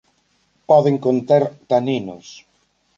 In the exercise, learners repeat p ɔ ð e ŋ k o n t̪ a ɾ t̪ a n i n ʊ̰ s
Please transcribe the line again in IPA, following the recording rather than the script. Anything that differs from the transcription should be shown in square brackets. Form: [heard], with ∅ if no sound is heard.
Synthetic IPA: p ɔ ð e ŋ k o n t̪ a ɾ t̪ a n i n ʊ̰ s